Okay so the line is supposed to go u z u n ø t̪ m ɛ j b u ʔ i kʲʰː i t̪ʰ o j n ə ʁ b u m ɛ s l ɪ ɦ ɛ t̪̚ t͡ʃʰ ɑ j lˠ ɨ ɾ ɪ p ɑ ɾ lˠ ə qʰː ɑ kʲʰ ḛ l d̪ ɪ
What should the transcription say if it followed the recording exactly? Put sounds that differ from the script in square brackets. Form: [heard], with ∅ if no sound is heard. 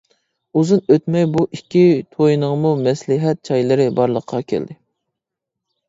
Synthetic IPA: u z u n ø t̪ m ɛ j b u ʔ i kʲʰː i t̪ʰ o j n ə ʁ [m] u m ɛ s l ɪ ɦ ɛ t̪̚ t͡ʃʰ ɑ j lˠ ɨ ɾ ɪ [b] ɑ ɾ lˠ ə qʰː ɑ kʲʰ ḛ l d̪ ɪ